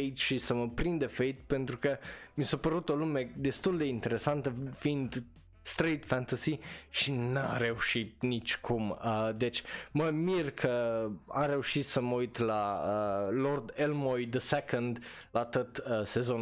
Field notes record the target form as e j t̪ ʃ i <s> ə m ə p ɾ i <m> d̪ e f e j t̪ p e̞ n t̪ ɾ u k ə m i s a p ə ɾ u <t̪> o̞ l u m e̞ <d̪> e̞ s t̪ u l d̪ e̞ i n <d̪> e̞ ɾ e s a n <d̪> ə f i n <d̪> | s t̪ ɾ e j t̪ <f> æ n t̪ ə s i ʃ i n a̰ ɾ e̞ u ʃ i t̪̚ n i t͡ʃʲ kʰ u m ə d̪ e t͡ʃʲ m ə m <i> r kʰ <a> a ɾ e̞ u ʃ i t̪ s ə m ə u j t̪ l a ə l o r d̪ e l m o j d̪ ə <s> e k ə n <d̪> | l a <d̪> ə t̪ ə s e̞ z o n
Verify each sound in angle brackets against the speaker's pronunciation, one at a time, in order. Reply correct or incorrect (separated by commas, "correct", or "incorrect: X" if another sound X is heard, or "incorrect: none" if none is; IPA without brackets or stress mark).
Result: correct, incorrect: n, correct, correct, incorrect: t̪, incorrect: t̪, correct, correct, correct, incorrect: ə, correct, correct, incorrect: t̪